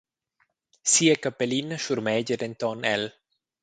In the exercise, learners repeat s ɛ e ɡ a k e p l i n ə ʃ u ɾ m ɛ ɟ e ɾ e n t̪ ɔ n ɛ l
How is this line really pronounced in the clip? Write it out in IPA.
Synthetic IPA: s i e k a p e l i n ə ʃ u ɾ m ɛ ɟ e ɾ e n t̪ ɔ n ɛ l